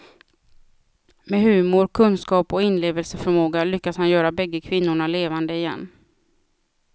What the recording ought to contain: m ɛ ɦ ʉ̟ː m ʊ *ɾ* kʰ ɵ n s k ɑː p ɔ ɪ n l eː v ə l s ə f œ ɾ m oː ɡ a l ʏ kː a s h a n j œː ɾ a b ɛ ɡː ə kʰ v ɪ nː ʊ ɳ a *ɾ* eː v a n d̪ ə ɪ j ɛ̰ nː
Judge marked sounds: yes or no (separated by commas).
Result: yes, no